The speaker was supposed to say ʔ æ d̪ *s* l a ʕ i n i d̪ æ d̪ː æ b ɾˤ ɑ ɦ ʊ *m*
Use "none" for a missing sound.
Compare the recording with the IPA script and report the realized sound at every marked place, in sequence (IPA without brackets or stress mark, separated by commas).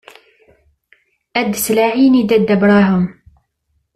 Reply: s, m